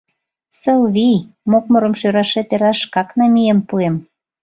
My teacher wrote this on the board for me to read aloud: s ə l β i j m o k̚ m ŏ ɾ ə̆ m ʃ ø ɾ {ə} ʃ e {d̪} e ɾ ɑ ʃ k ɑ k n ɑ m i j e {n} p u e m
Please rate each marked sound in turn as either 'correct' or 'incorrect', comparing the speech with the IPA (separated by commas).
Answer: incorrect, incorrect, incorrect